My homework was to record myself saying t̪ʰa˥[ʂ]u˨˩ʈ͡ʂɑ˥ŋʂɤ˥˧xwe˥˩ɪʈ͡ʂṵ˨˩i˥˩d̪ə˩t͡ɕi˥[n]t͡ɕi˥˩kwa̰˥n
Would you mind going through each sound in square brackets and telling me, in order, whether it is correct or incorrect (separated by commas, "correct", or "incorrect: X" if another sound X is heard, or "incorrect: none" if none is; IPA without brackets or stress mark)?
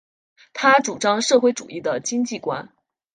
incorrect: ʈ͡ʂ, incorrect: ŋ